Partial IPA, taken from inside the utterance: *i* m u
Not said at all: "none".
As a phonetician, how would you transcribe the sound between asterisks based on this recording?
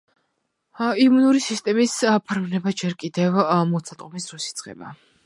i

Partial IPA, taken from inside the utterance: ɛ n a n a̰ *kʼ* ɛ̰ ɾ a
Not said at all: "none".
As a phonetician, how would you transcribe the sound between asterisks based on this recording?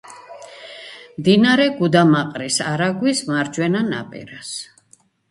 pʼ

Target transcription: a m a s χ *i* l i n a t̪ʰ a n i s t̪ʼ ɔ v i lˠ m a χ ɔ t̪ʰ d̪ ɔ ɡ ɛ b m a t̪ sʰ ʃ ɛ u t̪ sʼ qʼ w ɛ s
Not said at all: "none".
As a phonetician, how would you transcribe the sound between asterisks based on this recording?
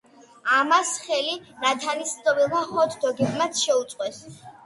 ɛ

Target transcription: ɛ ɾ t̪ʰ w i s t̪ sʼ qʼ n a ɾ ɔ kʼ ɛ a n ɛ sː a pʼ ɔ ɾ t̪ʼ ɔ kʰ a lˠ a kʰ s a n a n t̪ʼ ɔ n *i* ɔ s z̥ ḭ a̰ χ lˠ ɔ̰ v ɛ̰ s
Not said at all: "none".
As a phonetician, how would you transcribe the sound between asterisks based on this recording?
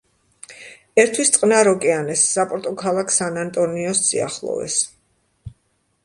i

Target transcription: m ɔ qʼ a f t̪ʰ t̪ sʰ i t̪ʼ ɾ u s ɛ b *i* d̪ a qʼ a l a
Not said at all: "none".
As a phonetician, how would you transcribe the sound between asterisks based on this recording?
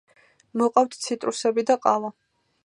i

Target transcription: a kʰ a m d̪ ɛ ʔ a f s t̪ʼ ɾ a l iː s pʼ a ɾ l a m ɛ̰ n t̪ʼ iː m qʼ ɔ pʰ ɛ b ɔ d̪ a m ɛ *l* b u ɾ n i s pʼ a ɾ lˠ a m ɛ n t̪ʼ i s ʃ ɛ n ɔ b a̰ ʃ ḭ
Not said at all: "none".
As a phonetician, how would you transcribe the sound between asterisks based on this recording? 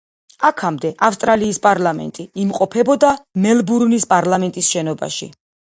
l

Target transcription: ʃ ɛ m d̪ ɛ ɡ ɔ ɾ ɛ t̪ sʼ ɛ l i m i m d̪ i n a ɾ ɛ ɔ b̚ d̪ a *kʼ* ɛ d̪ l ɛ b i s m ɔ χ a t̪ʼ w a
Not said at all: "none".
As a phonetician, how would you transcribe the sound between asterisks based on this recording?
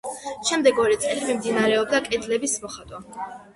kʼ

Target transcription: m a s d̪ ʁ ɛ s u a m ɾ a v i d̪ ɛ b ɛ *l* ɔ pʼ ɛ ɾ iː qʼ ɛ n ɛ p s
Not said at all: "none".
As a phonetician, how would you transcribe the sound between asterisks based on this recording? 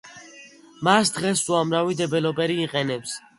l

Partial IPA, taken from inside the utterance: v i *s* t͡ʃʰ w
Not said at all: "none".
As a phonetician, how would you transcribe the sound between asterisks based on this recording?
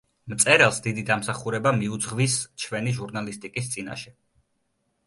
s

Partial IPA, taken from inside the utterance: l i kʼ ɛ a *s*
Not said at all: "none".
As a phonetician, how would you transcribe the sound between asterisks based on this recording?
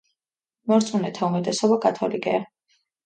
none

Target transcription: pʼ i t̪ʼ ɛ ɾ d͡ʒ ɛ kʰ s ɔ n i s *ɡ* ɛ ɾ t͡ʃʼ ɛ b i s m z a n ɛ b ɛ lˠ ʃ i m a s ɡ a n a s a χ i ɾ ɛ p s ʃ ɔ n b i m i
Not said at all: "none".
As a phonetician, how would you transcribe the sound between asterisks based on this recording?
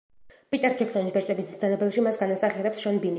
b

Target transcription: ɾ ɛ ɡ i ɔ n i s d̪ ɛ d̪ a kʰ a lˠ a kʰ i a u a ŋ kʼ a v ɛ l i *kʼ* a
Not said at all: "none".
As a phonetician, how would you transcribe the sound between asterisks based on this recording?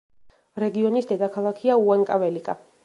kʼ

